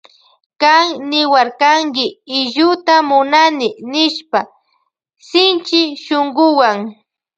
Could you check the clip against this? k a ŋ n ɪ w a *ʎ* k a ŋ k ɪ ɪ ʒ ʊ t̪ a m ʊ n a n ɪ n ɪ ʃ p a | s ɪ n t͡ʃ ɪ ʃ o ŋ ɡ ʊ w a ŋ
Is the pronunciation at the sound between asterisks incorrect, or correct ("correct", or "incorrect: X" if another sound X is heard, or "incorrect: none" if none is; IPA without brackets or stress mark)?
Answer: incorrect: ɾ